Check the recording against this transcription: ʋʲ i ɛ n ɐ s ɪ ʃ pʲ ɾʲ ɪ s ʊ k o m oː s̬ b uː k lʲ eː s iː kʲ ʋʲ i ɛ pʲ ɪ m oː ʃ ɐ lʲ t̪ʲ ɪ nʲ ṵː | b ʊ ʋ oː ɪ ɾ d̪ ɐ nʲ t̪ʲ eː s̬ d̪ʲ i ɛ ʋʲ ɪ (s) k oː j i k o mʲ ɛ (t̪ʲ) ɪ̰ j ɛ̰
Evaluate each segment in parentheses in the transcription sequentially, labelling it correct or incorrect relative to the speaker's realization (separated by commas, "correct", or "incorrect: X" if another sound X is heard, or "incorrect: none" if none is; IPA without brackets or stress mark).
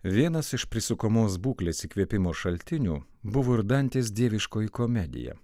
incorrect: ʃ, incorrect: d̪ʲ